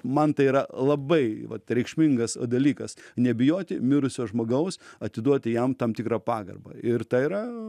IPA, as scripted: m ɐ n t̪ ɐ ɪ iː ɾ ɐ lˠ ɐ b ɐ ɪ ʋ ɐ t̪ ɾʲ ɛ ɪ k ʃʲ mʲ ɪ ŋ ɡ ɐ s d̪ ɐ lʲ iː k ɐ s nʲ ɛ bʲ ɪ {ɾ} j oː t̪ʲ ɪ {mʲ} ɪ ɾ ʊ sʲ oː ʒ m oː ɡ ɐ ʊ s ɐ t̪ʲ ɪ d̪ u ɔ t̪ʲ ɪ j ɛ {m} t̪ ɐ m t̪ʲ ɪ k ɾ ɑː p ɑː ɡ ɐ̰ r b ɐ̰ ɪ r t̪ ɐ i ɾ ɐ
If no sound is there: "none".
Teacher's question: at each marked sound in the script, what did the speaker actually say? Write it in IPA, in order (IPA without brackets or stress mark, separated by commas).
none, mʲ, m